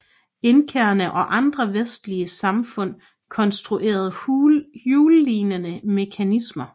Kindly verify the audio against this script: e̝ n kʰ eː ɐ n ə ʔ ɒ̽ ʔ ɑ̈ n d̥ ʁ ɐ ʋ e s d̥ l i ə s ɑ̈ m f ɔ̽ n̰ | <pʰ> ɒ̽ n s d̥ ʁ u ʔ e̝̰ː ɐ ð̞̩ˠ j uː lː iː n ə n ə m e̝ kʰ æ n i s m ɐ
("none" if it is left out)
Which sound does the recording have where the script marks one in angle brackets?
kʰ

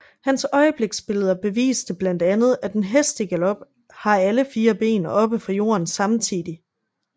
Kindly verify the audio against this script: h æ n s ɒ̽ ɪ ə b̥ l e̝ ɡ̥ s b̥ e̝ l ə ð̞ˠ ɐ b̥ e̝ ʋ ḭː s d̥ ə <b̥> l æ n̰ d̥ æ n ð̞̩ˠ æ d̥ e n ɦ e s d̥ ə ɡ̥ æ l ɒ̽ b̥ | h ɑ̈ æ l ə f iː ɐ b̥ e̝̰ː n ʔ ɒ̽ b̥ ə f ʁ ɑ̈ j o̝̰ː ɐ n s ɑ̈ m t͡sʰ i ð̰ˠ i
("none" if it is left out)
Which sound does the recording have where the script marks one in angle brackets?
b̥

